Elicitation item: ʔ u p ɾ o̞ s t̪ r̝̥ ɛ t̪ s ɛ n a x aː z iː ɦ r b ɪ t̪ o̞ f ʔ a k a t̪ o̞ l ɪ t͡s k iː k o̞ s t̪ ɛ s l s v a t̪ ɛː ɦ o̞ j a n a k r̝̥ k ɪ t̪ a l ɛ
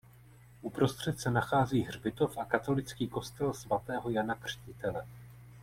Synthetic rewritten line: ʔ u p ɾ o̞ s t̪ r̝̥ ɛ t̪ s ɛ n a x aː z iː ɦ r b ɪ t̪ o̞ f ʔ a k a t̪ o̞ l ɪ t͡s k iː k o̞ s t̪ ɛ l s v a t̪ ɛː ɦ o̞ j a n a k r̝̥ c ɪ t̪ ɛ l ɛ